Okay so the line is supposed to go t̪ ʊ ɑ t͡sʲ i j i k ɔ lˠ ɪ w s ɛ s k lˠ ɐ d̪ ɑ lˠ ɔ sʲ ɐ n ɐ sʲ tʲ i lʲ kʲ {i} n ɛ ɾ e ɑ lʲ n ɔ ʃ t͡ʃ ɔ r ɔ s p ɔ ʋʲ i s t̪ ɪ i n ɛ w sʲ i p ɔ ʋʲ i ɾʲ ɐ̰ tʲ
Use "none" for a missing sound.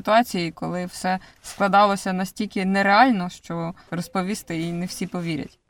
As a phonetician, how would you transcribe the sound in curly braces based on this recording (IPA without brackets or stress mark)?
ɪ